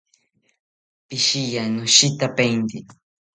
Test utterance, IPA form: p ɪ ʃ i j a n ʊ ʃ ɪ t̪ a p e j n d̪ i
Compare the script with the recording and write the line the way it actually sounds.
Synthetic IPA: p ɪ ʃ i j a n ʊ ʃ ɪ t̪ a p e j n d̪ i

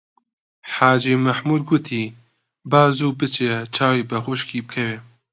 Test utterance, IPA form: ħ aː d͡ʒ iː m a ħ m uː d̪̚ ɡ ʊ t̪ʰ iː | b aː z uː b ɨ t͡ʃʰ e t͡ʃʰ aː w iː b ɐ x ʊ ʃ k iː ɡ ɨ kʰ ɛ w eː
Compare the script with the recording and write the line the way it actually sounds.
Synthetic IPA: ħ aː d͡ʒ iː m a ħ m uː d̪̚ ɡ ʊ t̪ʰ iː | b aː z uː b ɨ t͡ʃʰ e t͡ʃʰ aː w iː b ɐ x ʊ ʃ k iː b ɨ kʰ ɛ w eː

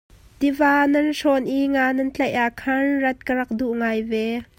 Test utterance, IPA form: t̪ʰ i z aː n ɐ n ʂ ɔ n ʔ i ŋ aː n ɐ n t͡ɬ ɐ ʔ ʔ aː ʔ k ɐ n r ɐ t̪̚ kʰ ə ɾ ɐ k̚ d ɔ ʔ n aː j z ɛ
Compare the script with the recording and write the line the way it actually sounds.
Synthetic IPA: t̪ i v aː n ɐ n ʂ ɔ n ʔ i ŋ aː n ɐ n t͡ɬ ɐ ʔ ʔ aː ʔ kʰ ɐ n r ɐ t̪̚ k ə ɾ ɐ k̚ d u ʔ ŋ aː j v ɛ

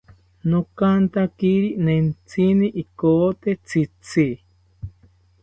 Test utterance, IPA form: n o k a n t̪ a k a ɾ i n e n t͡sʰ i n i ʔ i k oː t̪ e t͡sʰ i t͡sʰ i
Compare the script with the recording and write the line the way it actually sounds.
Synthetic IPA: n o k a n t̪ a k i ɾ i n e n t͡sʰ i n i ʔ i k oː t̪ e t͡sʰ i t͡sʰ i

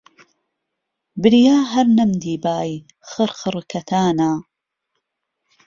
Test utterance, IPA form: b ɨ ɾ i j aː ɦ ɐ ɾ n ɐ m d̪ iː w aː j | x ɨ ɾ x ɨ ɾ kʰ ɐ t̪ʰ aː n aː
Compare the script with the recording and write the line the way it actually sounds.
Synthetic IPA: b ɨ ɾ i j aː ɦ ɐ ɾ n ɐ m d̪ iː b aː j | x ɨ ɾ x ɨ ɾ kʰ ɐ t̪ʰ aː n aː

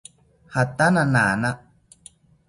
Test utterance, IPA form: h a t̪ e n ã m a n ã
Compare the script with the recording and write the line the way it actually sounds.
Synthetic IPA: h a t̪ a n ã n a n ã

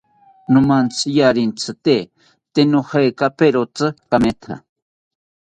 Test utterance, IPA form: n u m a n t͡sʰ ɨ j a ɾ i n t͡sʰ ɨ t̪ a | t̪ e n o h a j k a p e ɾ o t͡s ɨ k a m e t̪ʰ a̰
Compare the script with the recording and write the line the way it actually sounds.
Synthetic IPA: n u m a n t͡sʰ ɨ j a ɾ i n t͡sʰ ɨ t̪ e | t̪ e n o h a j k a p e ɾ o t͡s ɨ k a m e t̪ʰ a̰

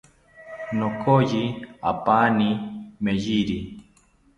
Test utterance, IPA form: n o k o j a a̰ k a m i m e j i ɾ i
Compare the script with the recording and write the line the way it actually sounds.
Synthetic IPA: n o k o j i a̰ p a n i m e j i ɾ i

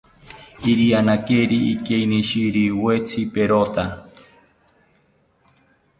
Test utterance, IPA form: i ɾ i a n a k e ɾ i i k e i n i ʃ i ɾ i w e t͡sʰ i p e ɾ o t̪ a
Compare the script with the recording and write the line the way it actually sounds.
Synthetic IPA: i ɾ i a n a k e ɾ i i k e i n i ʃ i ɾ i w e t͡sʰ i p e ɾ o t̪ a

